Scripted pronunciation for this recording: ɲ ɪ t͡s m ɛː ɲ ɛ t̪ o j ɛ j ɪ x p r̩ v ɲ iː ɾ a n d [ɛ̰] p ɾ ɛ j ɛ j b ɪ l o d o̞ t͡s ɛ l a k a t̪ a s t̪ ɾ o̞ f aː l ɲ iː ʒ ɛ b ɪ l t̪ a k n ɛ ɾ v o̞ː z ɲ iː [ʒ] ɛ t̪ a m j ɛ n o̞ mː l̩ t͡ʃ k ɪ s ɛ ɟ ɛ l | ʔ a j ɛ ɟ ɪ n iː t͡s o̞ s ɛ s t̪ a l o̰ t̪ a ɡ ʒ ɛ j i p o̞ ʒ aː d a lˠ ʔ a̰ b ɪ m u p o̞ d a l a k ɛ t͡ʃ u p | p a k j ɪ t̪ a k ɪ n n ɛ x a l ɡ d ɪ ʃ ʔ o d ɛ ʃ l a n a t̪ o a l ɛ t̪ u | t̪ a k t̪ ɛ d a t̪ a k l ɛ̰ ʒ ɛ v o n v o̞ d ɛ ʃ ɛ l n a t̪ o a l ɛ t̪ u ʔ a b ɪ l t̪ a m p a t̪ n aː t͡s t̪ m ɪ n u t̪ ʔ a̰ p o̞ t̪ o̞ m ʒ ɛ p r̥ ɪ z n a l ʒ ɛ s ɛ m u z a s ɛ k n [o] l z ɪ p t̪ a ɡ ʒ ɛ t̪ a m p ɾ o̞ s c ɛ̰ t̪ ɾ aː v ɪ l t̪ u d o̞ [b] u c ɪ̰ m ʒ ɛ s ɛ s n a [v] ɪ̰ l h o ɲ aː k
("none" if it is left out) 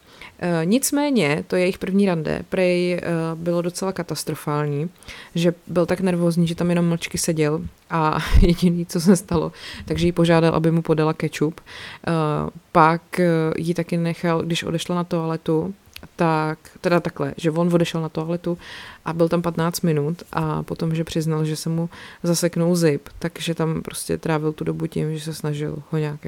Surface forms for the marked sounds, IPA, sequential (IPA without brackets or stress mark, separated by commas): ɛ̰, ʒ, u, b, ʒ